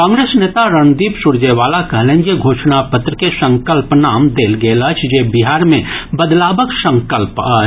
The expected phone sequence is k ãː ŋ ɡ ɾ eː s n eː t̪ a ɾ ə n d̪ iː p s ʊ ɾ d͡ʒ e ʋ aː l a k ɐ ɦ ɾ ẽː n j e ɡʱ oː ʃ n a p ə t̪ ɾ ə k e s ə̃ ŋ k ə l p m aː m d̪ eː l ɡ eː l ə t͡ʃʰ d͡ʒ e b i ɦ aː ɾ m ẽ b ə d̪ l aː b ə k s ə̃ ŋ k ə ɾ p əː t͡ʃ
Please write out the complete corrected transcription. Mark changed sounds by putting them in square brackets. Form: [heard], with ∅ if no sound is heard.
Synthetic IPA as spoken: k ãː ŋ ɡ ɾ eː s n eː t̪ a ɾ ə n d̪ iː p s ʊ ɾ d͡ʒ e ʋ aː l a k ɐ ɦ [l] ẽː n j e ɡʱ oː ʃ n a p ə t̪ ɾ ə k e s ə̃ ŋ k ə l p [n] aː m d̪ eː l ɡ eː l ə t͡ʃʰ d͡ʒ e b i ɦ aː ɾ m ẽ b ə d̪ l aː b ə k s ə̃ ŋ k ə [l] p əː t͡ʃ